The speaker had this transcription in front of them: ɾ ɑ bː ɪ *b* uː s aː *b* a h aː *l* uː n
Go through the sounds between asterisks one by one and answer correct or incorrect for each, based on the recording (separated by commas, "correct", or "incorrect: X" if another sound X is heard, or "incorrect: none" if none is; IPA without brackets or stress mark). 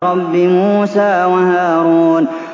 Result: incorrect: m, incorrect: w, incorrect: ɾ